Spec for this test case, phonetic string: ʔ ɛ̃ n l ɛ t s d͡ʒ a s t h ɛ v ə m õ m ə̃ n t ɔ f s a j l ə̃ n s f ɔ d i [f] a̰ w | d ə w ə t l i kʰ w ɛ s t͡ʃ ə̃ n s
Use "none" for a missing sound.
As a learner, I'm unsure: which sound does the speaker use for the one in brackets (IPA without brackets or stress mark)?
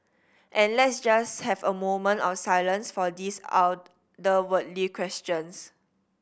s